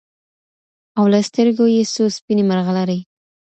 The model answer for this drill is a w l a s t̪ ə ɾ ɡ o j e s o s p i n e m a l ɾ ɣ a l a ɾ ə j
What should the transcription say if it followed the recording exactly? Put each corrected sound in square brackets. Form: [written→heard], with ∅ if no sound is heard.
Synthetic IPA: a w l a s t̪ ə ɾ ɡ o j e s o s p i n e m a [l→∅] ɾ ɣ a l a ɾ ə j

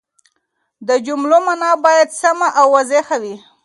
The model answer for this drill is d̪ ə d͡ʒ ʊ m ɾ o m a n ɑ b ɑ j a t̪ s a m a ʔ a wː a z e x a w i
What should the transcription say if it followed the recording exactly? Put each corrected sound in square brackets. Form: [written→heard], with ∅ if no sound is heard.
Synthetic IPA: d̪ ə d͡ʒ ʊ m [ɾ→l] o m a n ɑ b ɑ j a [t̪→d̪] s a m a ʔ a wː a z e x a w i

